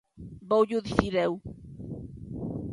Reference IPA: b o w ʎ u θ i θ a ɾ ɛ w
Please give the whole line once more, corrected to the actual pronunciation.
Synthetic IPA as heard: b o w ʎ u ð i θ i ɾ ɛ w